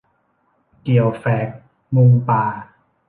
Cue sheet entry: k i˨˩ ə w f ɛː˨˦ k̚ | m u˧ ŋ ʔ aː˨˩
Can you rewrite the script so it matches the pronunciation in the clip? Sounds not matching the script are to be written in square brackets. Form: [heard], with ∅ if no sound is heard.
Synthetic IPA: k i˨˩ ə w f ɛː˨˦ k̚ | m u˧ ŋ [p] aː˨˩